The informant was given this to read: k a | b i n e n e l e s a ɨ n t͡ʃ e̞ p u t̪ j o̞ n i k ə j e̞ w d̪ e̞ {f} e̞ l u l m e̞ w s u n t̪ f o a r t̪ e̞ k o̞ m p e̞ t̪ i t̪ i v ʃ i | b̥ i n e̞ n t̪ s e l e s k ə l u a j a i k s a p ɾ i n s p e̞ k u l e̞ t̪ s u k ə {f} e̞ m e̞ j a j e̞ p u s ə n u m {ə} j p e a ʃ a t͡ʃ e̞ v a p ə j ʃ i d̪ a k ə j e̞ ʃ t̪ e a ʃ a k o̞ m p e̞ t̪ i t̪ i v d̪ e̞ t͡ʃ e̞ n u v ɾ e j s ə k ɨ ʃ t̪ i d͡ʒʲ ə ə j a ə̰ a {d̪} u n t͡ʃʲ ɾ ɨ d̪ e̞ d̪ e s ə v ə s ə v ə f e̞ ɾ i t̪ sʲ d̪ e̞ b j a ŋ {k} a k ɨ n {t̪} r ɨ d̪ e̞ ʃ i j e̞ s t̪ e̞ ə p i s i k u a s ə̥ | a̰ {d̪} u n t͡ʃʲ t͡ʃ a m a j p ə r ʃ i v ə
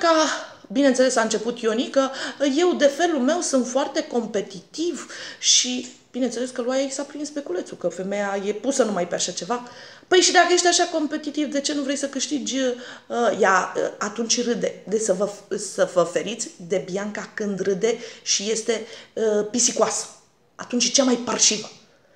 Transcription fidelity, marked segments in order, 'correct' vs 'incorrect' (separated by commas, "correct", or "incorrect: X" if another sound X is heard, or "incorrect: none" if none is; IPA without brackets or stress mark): correct, correct, incorrect: a, incorrect: t̪, correct, incorrect: d̪, incorrect: t̪